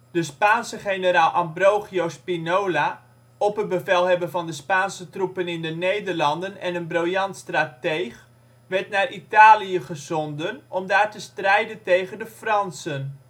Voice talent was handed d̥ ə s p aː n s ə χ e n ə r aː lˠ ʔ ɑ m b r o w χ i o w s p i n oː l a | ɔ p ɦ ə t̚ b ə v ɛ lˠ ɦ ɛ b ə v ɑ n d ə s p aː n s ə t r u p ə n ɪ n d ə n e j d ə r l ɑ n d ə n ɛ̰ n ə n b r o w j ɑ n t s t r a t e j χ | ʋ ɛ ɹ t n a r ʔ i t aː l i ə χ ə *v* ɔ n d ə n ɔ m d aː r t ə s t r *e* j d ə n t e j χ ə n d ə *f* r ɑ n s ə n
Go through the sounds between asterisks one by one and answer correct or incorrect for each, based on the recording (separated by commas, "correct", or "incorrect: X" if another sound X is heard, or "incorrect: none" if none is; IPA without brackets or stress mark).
incorrect: z, incorrect: ɛ, correct